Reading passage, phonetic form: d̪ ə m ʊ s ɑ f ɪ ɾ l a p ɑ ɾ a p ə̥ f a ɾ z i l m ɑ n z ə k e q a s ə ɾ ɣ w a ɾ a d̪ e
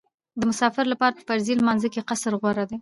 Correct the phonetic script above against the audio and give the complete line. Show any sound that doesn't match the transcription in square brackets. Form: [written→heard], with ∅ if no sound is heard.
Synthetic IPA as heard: d̪ ə m ʊ s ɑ f ɪ ɾ l a p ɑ ɾ a p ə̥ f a ɾ z i l m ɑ n z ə k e q a s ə ɾ ɣ w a ɾ a d̪ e